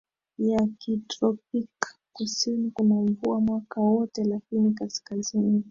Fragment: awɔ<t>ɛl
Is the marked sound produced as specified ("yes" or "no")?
yes